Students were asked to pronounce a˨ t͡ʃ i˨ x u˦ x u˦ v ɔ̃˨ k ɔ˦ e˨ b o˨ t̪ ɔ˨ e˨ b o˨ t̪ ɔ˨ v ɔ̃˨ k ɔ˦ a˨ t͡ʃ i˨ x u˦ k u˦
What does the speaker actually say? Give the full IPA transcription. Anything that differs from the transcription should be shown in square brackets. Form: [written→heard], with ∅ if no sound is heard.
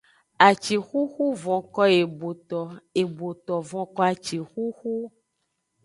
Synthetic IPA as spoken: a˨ t͡ʃ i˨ x u˦ x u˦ v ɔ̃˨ k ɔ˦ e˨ b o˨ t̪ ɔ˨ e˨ b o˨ t̪ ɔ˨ v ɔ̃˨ k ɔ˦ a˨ t͡ʃ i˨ x u˦ [k→x] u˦